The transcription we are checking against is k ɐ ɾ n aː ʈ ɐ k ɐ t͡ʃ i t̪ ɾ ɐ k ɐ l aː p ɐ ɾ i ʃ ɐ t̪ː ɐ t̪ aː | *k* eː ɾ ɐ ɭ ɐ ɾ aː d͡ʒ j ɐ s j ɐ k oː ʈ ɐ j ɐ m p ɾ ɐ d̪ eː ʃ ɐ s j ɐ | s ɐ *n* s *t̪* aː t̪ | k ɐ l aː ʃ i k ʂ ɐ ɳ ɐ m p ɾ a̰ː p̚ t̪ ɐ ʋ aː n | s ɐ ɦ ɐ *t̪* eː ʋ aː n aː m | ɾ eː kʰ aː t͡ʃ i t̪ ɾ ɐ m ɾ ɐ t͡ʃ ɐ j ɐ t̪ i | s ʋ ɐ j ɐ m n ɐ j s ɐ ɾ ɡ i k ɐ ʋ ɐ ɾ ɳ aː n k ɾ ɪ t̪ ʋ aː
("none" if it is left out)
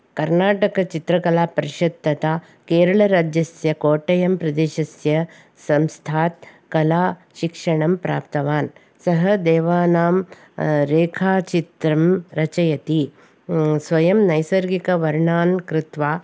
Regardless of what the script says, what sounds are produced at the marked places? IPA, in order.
k, m, t̪ʰ, d̪

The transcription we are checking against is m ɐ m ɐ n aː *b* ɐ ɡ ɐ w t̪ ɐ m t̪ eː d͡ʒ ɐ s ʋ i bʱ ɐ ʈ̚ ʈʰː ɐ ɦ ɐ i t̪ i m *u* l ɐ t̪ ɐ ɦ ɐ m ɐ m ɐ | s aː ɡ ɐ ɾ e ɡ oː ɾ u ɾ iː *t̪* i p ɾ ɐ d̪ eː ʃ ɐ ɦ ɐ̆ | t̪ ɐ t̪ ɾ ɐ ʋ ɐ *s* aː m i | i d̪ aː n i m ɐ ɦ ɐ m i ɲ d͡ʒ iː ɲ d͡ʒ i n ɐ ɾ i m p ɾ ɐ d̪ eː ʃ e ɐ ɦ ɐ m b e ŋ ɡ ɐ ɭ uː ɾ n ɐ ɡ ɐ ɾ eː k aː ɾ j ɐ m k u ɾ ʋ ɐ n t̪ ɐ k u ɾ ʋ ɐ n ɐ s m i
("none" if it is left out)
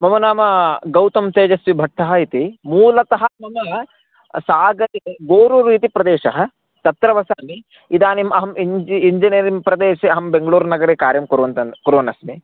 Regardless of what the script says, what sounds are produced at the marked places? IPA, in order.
m, uː, t̪, s

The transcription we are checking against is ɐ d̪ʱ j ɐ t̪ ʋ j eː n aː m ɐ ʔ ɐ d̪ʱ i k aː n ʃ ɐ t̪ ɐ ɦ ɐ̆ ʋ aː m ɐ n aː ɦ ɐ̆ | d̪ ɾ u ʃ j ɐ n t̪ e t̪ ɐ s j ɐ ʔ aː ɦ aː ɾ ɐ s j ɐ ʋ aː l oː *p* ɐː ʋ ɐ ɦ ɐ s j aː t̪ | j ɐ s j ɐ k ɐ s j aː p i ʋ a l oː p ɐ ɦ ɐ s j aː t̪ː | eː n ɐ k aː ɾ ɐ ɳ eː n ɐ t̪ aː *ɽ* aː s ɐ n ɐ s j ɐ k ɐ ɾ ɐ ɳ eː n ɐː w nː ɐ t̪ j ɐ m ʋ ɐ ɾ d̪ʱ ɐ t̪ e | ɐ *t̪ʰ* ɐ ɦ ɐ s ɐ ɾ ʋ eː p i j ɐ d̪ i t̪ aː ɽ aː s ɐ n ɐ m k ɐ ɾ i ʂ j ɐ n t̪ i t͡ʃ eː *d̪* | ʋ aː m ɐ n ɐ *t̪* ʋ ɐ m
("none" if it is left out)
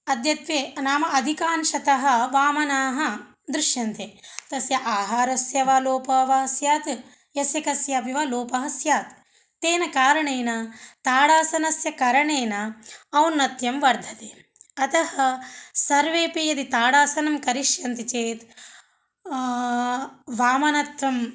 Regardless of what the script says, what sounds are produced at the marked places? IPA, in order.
p, ɽ, t̪, t̪, t̪

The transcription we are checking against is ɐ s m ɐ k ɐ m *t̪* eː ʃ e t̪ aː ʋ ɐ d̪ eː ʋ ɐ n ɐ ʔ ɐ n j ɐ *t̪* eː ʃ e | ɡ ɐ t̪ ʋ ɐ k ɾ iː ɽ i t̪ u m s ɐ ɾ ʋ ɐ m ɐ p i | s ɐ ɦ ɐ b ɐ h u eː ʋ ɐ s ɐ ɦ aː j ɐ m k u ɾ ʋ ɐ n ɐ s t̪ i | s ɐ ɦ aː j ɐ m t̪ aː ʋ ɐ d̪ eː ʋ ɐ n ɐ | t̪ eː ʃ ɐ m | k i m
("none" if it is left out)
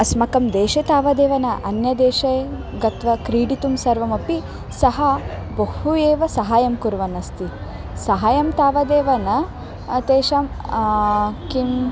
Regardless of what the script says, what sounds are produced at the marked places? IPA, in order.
d̪, d̪

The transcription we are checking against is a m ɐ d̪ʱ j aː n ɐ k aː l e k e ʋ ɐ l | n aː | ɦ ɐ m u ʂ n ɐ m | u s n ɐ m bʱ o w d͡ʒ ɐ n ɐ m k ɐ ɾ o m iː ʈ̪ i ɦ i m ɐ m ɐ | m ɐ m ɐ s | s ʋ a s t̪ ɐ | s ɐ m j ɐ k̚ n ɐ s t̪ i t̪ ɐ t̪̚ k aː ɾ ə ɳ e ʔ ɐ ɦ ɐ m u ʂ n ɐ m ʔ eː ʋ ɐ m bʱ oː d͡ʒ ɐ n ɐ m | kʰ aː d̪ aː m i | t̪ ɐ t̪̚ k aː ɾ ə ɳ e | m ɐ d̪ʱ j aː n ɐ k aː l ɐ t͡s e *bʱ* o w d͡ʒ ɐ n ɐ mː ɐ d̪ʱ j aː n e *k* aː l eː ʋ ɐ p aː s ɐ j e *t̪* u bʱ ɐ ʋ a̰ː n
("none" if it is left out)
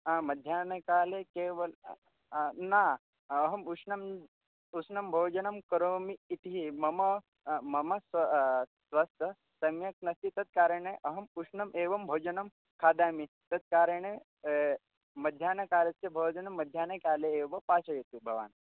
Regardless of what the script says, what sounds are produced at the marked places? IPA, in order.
bʱ, k, t̪

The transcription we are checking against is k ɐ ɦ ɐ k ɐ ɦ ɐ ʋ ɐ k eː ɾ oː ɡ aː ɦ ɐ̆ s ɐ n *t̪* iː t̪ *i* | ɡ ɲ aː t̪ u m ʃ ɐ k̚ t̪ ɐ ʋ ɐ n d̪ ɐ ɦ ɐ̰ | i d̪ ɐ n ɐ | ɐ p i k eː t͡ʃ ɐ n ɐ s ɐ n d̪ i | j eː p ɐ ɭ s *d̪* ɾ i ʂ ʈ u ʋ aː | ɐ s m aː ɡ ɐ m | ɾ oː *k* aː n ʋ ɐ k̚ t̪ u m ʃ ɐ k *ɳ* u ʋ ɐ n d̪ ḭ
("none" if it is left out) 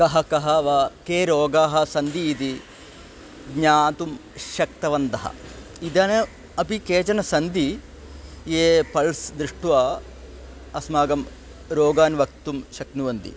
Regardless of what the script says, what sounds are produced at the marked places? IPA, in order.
d̪, i, d̪, ɡ, n

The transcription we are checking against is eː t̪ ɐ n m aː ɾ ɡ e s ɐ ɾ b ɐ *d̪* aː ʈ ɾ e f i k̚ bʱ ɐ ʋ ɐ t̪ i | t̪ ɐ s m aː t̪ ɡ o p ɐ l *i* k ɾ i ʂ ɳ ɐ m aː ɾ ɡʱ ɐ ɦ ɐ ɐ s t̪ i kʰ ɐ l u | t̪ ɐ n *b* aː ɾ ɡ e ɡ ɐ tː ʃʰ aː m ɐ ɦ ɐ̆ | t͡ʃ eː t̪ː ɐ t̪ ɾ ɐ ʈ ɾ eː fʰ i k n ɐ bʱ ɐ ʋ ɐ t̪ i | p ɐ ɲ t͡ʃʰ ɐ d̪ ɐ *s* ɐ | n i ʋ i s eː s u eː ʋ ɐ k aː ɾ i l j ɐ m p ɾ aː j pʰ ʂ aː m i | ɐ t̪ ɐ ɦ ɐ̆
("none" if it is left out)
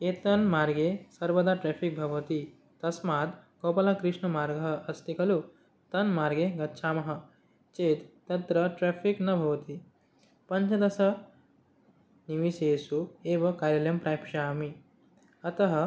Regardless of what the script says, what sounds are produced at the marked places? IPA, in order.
d̪, a, m, s

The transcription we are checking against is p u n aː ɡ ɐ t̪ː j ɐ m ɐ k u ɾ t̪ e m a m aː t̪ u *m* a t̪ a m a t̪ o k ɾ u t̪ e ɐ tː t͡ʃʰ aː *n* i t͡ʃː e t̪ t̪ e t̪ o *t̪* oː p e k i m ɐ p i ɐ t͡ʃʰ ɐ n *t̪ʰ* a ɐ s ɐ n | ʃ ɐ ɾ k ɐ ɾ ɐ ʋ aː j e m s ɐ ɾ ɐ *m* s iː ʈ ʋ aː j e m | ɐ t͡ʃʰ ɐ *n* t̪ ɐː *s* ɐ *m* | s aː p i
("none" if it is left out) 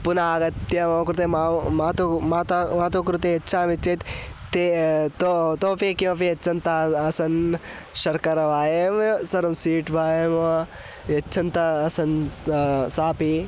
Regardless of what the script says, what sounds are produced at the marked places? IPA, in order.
m, m, t̪, t̪, m, n, s, n

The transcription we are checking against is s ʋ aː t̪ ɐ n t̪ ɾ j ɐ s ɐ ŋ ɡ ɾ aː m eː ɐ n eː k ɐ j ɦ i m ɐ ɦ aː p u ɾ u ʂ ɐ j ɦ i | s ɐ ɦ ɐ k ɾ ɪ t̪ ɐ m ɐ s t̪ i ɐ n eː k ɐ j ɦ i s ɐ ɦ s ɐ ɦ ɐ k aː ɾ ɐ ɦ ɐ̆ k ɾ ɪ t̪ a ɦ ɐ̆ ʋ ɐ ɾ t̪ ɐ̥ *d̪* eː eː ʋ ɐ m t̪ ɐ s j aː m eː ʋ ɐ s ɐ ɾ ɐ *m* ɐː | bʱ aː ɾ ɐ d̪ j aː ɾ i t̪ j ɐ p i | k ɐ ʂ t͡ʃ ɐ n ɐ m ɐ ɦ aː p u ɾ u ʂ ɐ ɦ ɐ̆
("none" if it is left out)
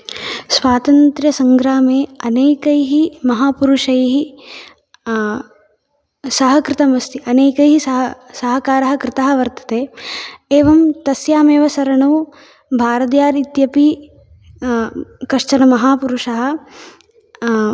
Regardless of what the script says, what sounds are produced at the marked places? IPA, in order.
t̪, ɳ

